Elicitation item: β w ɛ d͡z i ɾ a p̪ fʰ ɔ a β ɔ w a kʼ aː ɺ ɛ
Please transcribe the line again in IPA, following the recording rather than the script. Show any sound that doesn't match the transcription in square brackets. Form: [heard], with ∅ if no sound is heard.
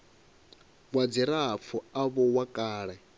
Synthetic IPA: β w [a] d͡z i ɾ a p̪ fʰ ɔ a β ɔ w a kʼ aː ɺ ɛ